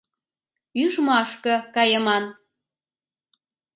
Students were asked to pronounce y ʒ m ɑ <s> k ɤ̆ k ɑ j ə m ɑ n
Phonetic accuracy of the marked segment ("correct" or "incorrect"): incorrect